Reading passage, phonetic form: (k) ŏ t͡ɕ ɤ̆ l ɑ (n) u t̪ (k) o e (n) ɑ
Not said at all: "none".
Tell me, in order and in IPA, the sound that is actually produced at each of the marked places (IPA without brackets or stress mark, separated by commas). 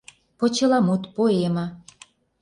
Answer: p, m, p, m